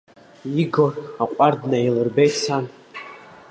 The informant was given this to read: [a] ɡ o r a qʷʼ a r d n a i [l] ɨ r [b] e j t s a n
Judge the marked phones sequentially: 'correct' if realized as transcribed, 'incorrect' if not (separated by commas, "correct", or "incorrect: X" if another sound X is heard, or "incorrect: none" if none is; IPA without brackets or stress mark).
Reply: incorrect: i, correct, correct